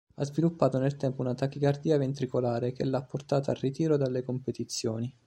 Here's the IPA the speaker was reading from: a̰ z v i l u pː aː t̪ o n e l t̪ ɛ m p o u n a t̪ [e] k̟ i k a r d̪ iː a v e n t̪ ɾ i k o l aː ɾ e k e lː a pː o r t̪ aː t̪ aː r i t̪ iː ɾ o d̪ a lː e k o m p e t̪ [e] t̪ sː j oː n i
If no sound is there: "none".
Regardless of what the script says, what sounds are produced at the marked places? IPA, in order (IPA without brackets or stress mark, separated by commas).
a, i